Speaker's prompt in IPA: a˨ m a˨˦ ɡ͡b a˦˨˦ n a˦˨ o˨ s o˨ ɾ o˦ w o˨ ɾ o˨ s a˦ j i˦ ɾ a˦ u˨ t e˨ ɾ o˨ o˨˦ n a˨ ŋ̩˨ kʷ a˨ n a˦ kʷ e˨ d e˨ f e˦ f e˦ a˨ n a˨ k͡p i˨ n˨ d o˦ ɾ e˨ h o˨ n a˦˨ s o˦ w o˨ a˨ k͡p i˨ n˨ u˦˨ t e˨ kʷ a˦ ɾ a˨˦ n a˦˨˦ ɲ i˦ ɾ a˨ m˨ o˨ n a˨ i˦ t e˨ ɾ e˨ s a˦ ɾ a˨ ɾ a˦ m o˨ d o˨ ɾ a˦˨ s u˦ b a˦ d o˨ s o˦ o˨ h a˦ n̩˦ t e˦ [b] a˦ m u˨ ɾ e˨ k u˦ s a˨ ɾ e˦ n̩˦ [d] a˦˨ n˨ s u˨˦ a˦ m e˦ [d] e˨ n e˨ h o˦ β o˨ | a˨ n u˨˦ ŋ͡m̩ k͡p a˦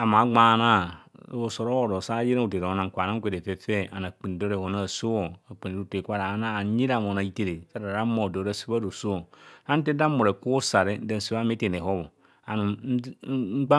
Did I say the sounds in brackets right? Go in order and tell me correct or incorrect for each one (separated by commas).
incorrect, correct, incorrect